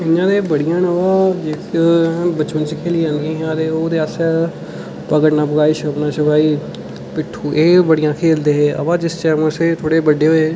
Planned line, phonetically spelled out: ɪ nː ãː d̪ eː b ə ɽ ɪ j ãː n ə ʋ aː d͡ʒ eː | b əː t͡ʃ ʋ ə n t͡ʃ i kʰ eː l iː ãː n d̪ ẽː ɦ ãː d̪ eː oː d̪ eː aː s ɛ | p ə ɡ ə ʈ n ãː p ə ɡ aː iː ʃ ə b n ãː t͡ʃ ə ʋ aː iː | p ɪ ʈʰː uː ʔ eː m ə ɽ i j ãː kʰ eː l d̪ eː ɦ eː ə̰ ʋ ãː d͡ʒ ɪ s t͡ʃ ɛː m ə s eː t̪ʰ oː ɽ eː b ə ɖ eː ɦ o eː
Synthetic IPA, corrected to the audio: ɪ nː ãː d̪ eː b ə ɽ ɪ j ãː n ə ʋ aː d͡ʒ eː | b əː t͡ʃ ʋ ə n t͡ʃ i kʰ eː l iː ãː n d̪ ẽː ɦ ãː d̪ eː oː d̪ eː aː s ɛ | p ə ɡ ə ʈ n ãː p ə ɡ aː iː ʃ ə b n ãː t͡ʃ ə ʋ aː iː | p ɪ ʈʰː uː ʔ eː b ə ɽ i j ãː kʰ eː l d̪ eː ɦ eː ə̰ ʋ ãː d͡ʒ ɪ s t͡ʃ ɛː m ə s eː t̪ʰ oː ɽ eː b ə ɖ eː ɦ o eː